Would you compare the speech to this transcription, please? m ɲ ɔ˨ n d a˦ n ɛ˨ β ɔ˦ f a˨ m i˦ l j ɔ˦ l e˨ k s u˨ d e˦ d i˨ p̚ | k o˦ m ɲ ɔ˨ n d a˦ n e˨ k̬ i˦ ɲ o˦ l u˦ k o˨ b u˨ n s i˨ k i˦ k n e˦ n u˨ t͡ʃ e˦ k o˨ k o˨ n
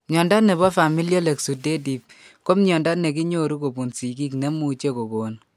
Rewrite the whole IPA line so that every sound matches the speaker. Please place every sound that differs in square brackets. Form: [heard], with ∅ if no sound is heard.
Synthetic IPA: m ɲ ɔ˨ n d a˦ n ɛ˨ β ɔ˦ f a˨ m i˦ l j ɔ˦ l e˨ k s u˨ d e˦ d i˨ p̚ | k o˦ m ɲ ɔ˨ n d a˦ n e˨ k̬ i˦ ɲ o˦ [ɾ] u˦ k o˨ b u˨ n s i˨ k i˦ k n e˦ [m] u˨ t͡ʃ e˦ k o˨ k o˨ n